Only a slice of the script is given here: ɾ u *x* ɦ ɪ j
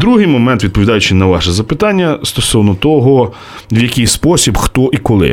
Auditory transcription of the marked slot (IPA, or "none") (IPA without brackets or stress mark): none